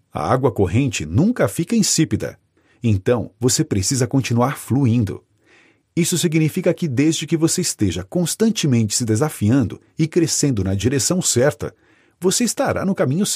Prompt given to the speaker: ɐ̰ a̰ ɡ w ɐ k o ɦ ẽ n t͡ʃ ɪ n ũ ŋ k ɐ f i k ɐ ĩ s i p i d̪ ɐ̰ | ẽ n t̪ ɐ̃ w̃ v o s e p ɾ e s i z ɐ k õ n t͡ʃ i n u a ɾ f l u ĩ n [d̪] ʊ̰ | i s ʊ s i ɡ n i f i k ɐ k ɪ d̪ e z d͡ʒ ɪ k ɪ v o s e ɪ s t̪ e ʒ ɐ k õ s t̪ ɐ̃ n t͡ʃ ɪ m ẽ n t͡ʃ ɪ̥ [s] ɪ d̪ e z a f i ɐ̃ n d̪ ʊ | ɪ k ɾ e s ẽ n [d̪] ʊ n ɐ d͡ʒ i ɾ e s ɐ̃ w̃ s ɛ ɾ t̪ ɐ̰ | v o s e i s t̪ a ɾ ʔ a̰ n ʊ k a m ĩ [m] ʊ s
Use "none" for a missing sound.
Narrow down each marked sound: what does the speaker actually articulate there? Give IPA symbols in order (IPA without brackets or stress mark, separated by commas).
d̪, s, d̪, ɲ